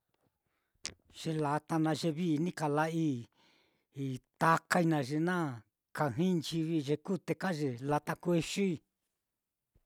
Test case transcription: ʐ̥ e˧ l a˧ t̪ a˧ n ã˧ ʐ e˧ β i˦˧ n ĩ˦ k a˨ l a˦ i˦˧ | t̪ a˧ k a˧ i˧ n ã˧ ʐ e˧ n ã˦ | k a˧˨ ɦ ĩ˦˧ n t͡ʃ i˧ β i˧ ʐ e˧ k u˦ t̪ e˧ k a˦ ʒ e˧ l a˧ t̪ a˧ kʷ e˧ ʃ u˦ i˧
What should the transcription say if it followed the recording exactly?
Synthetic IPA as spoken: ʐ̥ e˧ l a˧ t̪ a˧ n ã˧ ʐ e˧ β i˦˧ n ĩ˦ k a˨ l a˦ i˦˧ | t̪ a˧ k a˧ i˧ n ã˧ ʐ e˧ n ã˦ | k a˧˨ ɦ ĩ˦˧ n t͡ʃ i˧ β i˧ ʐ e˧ k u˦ t̪ e˧ k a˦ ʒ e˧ l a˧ t̪ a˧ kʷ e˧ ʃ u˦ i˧

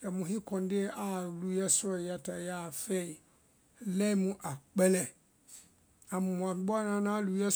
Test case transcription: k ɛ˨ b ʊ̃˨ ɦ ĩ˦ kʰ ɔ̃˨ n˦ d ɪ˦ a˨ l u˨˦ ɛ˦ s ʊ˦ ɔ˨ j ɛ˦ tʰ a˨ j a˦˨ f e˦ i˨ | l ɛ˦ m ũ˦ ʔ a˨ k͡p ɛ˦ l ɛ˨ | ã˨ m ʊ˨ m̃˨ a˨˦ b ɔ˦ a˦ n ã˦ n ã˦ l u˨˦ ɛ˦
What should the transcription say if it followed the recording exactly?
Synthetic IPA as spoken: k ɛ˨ m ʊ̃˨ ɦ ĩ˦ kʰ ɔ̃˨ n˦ d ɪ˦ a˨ l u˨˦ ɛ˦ s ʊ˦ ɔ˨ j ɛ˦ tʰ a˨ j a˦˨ f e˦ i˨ | l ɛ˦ m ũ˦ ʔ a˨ k͡p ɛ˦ l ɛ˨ | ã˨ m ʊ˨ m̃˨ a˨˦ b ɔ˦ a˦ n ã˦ n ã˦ l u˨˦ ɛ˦

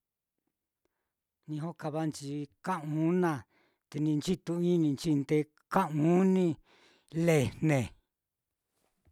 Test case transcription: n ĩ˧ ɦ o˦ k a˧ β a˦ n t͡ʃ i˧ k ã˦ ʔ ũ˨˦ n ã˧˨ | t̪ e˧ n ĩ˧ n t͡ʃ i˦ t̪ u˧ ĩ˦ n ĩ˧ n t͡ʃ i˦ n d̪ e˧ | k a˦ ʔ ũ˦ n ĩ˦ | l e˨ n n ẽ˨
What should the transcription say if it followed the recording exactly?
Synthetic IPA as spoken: n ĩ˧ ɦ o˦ k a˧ β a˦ n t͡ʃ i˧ k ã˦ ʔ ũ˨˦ n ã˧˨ | t̪ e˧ n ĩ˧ n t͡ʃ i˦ t̪ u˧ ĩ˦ n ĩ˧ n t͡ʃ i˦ n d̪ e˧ | k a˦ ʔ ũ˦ n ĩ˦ | l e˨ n n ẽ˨

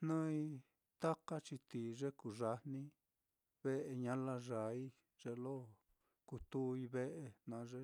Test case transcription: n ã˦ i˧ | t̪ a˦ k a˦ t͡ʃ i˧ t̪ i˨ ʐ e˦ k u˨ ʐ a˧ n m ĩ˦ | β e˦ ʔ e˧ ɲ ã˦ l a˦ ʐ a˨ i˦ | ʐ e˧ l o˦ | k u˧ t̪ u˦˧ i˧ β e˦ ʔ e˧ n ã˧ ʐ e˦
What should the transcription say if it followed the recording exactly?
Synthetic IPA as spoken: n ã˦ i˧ | t̪ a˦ k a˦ t͡ʃ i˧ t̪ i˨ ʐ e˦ k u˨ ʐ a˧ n n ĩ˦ | β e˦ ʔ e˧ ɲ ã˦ l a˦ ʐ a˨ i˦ | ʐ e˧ l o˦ | k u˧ t̪ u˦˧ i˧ β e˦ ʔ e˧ n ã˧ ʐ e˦

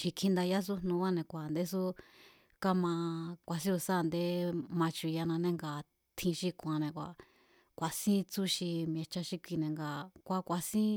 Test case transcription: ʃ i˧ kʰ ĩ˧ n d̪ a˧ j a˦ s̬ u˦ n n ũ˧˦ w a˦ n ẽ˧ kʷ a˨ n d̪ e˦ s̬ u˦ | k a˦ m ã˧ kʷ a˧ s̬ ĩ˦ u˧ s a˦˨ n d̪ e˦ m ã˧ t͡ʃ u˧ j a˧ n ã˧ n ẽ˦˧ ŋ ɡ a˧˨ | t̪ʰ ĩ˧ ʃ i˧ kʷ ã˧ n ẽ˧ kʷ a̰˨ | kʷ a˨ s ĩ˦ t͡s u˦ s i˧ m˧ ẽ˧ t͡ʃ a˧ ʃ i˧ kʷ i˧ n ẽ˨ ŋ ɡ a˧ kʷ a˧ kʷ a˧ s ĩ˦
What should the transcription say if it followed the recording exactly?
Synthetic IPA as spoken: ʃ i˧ kʰ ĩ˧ n d̪ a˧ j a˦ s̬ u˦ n n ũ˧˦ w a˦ n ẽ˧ kʷ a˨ n d̪ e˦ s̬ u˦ | k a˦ m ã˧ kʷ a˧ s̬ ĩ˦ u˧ s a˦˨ n d̪ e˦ m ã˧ t͡ʃ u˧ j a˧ n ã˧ n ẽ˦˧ ŋ ɡ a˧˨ | t̪ʰ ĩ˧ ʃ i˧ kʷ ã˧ n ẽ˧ kʷ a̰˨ | kʷ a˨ s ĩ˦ t͡s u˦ ʃ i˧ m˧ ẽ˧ t͡ʃ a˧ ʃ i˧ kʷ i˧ n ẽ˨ ŋ ɡ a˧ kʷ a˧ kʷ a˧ s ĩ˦

